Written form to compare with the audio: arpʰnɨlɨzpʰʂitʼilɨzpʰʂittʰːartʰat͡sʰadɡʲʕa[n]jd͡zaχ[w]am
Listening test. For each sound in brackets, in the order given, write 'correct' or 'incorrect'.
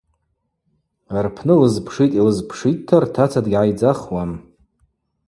incorrect: none, correct

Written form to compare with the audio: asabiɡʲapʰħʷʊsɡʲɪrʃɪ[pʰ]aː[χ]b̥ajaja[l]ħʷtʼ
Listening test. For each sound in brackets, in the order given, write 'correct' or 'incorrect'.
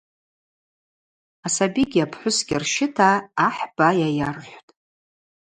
incorrect: tʰ, incorrect: ħ, incorrect: r

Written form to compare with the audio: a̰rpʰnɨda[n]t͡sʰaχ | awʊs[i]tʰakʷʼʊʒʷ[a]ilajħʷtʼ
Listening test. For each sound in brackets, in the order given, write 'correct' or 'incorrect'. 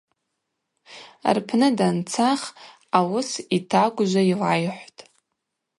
correct, correct, correct

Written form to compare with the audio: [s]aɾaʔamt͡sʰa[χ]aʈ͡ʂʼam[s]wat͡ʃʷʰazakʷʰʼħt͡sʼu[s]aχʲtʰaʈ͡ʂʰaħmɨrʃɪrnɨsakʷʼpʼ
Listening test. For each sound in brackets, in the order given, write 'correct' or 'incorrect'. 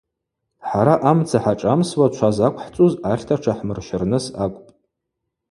incorrect: ħ, incorrect: ħ, correct, incorrect: z

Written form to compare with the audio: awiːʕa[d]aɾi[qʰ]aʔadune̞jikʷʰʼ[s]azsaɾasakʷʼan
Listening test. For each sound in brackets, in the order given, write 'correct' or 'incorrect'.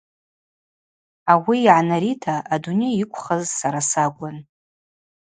incorrect: n, incorrect: tʰ, incorrect: χ

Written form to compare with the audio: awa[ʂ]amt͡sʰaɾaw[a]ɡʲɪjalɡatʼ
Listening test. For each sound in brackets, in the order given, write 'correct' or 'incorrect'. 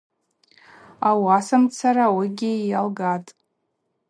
incorrect: s, incorrect: i

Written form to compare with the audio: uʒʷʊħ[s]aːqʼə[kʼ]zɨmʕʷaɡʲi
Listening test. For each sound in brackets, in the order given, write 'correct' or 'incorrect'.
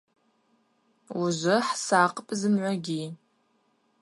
correct, incorrect: pʼ

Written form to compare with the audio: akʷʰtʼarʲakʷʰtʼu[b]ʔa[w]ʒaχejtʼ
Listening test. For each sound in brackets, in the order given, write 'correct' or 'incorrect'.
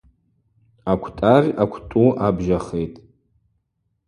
incorrect: none, incorrect: b

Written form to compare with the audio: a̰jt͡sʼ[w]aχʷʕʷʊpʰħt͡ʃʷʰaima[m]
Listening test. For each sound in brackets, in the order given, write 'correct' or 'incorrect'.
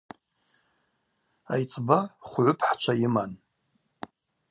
incorrect: b, incorrect: n

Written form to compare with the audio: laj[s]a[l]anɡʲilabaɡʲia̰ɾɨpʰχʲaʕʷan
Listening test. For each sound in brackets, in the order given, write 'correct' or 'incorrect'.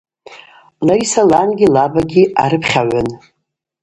correct, correct

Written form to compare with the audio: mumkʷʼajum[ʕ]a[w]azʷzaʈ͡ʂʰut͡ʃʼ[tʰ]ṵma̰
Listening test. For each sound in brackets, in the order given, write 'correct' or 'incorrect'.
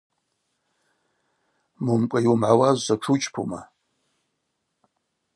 correct, correct, incorrect: pʰ

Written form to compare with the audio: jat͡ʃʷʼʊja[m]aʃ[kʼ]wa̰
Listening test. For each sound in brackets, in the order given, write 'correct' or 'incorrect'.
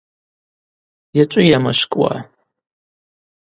correct, correct

